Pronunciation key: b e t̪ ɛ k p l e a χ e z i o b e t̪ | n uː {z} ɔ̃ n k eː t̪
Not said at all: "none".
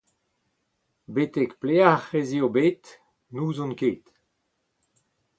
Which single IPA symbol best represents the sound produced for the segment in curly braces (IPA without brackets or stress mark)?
z